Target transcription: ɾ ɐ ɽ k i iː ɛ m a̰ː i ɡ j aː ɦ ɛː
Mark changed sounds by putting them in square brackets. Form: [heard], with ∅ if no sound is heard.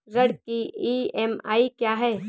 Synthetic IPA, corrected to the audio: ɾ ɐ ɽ k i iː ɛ m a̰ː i [k] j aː ɦ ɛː